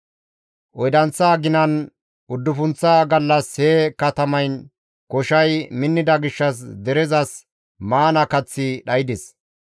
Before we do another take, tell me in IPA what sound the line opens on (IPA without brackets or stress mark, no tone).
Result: ʔ